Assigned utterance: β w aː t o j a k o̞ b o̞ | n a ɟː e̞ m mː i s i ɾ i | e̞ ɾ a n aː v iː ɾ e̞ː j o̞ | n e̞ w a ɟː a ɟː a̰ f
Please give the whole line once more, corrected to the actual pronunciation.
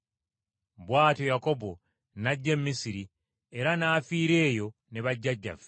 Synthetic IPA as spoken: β w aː t o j a k o̞ b o̞ | n a ɟː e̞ m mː i s i ɾ i | e̞ ɾ a n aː f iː ɾ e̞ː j o̞ | n e̞ β a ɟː a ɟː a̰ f